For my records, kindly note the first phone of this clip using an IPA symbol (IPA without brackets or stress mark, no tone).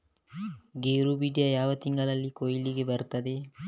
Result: ɡ